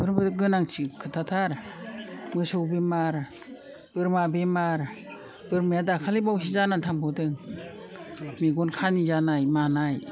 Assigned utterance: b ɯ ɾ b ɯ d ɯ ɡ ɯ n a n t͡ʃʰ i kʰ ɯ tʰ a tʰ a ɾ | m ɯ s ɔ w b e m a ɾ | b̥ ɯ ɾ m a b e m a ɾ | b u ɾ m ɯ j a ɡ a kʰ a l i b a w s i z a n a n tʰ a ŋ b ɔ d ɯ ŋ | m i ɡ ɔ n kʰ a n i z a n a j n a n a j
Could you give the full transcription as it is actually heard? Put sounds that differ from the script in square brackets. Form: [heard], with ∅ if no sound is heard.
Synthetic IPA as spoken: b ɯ ɾ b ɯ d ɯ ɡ ɯ n a [ŋ] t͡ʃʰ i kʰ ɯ tʰ a tʰ a ɾ | m ɯ s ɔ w b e m a ɾ | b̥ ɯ ɾ m a b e m a ɾ | b [ɯ] ɾ m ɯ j a [d] a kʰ a l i b a w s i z a n a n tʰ a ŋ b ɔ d ɯ ŋ | m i ɡ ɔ n kʰ a n i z a n a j [m] a n a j